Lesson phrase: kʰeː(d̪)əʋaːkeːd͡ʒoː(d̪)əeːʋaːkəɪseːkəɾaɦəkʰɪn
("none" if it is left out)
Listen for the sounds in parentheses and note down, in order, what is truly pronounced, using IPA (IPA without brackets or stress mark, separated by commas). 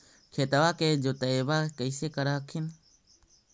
t̪, t̪